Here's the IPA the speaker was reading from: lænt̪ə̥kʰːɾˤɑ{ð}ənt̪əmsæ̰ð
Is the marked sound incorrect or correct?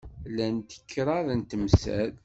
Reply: correct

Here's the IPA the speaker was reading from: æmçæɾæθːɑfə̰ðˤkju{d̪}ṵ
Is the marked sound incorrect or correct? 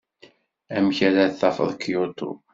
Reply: incorrect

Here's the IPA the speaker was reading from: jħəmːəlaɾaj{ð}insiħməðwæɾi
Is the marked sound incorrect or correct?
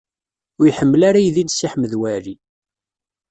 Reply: correct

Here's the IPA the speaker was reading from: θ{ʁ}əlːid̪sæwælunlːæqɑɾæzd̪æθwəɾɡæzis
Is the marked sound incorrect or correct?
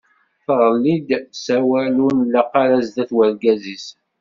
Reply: correct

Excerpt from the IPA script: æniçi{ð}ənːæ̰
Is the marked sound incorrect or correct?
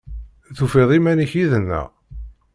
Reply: correct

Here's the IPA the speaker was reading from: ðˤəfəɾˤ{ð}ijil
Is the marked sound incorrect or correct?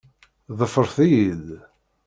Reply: incorrect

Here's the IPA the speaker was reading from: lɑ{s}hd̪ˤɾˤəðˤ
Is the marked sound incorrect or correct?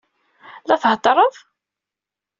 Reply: incorrect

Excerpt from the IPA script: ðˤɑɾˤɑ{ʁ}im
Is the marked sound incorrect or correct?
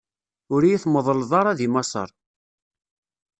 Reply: incorrect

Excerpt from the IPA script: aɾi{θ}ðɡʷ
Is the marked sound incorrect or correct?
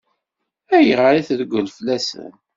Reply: correct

